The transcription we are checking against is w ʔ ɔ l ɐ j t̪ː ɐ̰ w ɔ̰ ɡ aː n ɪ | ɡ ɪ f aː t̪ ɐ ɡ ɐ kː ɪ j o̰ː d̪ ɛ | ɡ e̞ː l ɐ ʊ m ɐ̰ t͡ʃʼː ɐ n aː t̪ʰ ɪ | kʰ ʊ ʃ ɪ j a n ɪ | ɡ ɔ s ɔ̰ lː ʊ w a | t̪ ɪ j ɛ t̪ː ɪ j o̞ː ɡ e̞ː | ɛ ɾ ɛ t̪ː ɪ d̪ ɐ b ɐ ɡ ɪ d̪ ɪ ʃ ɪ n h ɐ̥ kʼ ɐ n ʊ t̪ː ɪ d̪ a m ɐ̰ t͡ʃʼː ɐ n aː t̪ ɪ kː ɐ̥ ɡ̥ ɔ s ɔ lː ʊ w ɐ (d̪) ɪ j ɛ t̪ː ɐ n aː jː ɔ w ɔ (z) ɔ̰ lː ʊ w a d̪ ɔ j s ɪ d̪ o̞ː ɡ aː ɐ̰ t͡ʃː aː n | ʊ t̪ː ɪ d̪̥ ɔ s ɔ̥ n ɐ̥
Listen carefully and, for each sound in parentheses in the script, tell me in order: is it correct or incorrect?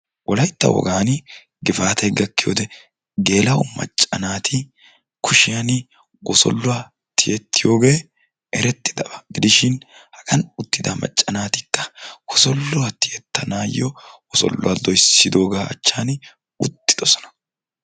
incorrect: t̪, incorrect: s

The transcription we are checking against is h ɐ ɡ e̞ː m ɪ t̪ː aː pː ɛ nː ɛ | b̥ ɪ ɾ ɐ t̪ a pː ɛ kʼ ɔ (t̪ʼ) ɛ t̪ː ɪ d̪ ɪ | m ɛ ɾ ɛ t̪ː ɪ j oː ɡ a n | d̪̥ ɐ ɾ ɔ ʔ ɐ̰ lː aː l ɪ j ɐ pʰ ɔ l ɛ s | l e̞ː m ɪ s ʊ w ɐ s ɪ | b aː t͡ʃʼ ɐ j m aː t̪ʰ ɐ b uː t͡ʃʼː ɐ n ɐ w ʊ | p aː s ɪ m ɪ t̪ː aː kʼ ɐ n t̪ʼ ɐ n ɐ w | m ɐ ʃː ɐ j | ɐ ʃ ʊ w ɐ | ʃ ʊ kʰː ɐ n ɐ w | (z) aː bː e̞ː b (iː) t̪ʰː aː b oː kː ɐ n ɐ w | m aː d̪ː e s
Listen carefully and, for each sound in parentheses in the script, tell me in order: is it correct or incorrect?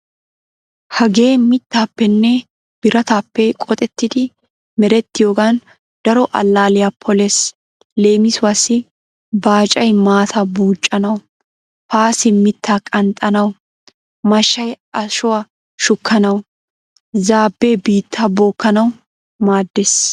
correct, correct, correct

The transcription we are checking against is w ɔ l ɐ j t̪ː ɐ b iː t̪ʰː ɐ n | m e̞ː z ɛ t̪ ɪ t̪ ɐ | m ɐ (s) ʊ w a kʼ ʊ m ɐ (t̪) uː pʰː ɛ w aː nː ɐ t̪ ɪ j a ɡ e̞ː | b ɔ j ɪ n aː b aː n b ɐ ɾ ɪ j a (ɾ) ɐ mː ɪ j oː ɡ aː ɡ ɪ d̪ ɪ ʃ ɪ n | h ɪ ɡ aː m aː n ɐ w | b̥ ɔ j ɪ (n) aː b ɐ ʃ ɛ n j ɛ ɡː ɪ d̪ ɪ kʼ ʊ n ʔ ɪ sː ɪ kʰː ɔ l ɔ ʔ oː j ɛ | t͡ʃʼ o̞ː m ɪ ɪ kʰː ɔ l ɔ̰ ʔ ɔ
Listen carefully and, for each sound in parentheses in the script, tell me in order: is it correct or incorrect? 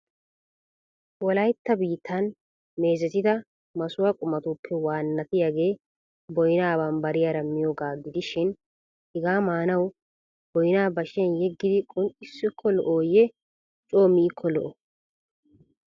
correct, correct, correct, correct

